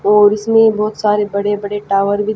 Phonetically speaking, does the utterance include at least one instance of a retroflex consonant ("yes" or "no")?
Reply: yes